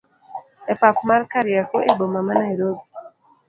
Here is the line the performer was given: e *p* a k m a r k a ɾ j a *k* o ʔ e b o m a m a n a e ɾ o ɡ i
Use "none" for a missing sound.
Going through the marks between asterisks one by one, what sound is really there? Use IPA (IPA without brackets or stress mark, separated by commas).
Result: p, k